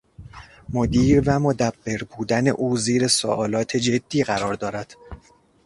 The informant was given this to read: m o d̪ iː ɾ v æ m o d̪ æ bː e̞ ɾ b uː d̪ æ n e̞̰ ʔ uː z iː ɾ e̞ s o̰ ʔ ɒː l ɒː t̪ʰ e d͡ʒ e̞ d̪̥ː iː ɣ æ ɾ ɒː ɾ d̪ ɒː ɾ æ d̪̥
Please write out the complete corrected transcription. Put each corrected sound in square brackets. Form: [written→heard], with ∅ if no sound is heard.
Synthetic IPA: m o d̪ iː ɾ v æ m o d̪ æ bː e̞ ɾ b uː d̪ æ n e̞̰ ʔ uː z iː ɾ e̞ s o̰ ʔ ɒː l ɒː t̪ʰ e d͡ʒ e̞ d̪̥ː iː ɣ æ ɾ ɒː ɾ d̪ ɒː ɾ æ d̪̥

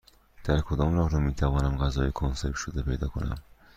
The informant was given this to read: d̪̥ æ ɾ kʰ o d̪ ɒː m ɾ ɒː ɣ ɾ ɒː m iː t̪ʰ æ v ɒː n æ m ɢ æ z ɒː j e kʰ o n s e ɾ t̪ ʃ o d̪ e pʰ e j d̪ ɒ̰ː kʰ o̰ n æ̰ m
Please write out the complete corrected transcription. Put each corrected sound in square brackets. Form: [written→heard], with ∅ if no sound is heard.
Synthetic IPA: d̪̥ æ ɾ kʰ o d̪ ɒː m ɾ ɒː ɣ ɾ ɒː m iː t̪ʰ æ v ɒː n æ m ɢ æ z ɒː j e kʰ o n s e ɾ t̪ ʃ o d̪ e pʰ e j d̪ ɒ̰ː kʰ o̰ n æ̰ m

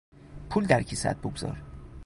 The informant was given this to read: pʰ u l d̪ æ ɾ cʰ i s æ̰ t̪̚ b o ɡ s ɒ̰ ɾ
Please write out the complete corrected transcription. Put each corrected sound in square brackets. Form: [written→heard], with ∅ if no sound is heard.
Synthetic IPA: pʰ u l d̪ æ ɾ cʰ i s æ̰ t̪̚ b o ɡ [s→z] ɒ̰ ɾ

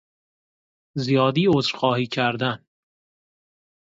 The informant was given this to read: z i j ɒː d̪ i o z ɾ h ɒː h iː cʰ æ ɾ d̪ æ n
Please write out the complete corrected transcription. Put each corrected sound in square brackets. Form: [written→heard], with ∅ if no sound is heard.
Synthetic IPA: z i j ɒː d̪ [i→iː] o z ɾ [h→x] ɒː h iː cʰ æ ɾ d̪ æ n

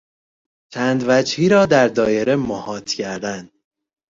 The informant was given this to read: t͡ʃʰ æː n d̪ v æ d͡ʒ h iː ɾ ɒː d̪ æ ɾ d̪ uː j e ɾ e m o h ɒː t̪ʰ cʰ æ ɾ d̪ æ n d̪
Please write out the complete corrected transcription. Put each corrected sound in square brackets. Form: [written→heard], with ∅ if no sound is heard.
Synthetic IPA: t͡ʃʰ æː n d̪ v æ d͡ʒ h iː ɾ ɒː d̪ æ ɾ d̪ [uː→ɒː] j e ɾ e m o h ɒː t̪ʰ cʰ æ ɾ d̪ æ n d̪

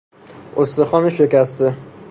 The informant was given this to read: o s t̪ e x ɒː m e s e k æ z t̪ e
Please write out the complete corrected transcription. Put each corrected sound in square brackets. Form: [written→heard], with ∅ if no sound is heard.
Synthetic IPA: o s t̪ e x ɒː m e [s→ʃ] e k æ [z→s] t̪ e

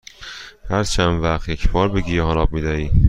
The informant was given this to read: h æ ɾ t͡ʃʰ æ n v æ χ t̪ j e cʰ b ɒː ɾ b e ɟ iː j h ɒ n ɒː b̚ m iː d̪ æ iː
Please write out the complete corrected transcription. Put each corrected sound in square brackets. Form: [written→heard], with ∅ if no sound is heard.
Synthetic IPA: h æ ɾ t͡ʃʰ æ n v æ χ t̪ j e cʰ b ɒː ɾ b e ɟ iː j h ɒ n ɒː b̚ m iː d̪ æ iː

